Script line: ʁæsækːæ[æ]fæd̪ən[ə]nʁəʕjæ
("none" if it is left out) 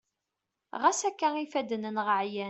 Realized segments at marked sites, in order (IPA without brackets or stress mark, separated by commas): i, ə